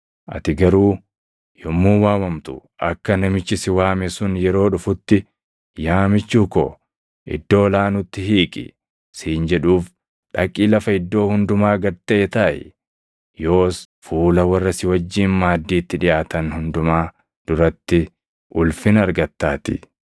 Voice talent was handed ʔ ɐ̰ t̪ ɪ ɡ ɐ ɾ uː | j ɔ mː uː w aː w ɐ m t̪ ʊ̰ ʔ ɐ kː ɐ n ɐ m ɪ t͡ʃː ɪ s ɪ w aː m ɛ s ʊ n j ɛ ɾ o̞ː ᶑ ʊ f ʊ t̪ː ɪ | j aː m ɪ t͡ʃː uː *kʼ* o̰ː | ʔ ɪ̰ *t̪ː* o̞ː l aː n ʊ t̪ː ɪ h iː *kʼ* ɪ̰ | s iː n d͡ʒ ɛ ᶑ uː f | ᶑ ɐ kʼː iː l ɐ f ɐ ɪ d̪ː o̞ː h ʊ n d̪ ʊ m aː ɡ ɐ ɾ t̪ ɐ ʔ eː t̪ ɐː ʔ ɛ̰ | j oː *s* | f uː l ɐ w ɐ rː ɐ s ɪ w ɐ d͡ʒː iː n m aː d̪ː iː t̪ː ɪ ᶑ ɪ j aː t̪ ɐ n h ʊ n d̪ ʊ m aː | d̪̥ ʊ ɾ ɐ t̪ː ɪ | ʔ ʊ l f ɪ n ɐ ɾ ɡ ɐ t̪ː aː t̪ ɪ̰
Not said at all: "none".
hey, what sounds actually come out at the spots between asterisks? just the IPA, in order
k, d̪ː, kʼ, s

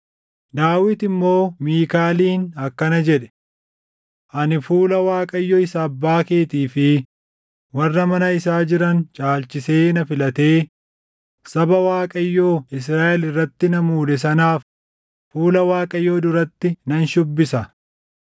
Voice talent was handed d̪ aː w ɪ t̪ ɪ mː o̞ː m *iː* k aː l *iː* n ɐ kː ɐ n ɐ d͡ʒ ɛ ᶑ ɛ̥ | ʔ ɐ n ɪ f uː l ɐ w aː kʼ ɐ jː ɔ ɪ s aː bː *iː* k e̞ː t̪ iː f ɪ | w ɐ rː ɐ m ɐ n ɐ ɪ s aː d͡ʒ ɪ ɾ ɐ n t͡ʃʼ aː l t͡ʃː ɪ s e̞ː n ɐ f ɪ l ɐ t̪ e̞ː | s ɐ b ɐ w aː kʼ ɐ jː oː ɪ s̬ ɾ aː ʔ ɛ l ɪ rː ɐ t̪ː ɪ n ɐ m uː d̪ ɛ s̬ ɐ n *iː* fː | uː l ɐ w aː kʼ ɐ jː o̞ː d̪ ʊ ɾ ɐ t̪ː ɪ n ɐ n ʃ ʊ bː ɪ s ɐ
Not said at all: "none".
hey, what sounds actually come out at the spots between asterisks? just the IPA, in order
iː, iː, aː, aː

